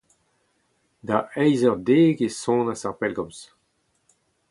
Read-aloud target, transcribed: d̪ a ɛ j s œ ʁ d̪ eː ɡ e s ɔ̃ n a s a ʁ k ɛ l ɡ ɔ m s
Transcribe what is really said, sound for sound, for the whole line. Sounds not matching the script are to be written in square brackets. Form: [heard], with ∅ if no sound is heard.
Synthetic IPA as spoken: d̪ a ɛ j [z] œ ʁ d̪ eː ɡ e s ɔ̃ n a s a ʁ [p] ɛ l ɡ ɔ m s